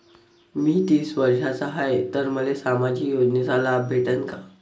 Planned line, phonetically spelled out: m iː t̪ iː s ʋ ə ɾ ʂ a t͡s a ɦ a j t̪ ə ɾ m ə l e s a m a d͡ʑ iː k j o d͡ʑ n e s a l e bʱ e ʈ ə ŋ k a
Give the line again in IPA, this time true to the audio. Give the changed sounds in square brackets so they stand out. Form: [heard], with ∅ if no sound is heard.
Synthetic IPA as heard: m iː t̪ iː s ʋ ə ɾ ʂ a t͡s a ɦ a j t̪ ə ɾ m ə l e s a m a d͡ʑ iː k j o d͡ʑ n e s a l [a] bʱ e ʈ ə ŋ k a